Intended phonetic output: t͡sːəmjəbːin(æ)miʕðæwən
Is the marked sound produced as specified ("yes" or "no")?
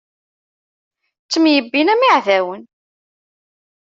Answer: yes